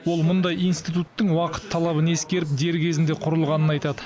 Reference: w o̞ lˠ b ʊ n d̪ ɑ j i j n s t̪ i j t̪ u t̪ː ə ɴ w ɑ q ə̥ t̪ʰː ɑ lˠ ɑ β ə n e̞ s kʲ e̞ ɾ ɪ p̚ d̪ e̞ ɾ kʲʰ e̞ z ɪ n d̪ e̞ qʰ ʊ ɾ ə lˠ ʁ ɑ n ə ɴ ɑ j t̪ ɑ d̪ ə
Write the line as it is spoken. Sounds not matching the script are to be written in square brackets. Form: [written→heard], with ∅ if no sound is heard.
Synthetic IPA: w o̞ lˠ [b→m] ʊ n d̪ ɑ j i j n s t̪ i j t̪ u t̪ː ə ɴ w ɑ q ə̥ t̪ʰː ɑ lˠ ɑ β ə n e̞ s kʲ e̞ ɾ ɪ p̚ d̪ e̞ ɾ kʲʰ e̞ z ɪ n d̪ e̞ qʰ ʊ ɾ ə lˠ ʁ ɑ n ə [ɴ→n] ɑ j t̪ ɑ d̪ ə